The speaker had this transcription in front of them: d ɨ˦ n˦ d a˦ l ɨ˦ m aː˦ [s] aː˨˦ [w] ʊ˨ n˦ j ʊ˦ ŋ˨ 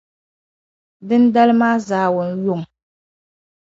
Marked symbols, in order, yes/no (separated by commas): no, yes